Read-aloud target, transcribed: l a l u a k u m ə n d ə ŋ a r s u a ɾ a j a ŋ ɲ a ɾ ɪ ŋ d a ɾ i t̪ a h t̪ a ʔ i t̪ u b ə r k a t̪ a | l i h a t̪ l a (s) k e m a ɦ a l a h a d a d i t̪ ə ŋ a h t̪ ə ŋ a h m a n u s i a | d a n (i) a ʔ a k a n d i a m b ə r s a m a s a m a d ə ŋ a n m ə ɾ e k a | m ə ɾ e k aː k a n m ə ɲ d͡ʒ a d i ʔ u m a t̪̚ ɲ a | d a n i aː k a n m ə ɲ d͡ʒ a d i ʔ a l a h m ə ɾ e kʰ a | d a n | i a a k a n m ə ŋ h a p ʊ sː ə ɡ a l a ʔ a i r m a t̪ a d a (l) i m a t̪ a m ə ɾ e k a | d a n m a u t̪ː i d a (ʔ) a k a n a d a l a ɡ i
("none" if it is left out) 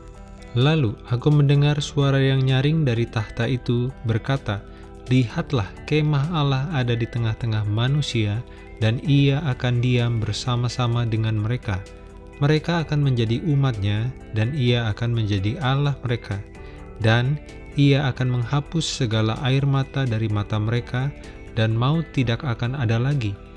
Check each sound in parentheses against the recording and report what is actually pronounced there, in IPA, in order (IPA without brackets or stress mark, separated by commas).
h, i, ɾ, k